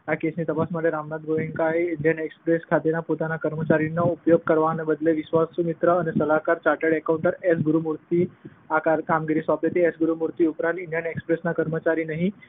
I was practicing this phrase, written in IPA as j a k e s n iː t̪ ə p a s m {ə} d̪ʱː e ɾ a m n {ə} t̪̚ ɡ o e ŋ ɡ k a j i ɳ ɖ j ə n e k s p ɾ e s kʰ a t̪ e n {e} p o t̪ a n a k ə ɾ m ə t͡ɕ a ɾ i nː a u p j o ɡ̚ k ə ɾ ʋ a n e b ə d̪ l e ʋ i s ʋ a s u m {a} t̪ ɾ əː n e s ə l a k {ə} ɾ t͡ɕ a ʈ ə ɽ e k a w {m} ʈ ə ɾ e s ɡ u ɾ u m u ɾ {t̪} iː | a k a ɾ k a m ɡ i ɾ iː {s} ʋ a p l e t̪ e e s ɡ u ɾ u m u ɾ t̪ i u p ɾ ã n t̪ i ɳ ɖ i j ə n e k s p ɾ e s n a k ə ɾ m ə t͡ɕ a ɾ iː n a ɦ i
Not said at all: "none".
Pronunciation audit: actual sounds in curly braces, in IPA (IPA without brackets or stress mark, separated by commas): ə, a, a, i, a, ɳ, t̪, s